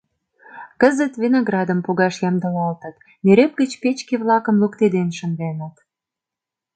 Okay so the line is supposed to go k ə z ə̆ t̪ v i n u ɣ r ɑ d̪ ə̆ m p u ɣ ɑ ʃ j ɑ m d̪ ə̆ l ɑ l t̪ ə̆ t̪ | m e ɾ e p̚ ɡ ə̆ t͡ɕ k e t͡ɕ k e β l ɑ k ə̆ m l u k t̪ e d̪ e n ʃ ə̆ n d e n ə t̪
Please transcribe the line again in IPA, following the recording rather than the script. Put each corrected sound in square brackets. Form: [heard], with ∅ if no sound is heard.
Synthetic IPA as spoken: k ə z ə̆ t̪ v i n [o] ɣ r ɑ d̪ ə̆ m p u ɣ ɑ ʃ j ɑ m d̪ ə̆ l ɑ l t̪ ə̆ t̪ | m e ɾ e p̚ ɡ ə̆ t͡ɕ [p] e t͡ɕ k e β l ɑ k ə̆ m l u k t̪ e d̪ e n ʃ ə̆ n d e n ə t̪